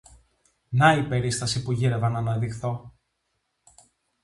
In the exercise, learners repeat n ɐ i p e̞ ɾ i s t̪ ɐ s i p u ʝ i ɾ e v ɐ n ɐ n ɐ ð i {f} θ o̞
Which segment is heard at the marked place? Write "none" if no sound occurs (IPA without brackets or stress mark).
x